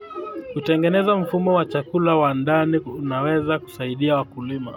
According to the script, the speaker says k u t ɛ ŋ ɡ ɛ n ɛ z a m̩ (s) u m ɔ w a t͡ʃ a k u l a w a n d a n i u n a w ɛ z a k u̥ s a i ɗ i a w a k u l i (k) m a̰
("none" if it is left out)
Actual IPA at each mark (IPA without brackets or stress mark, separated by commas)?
f, none